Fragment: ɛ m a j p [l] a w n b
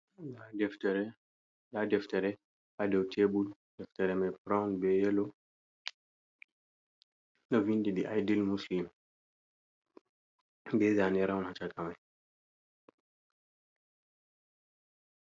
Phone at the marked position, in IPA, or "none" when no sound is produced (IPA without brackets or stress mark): ɾ